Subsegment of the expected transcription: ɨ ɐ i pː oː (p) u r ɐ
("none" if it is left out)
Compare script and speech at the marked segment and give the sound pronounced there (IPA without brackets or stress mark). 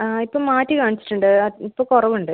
k